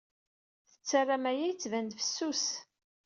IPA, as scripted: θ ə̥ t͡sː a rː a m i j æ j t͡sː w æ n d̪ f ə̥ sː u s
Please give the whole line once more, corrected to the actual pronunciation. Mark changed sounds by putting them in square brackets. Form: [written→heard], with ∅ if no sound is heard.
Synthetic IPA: θ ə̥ t͡sː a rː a m [i→æ] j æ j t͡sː [w→v] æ n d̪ f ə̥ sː u s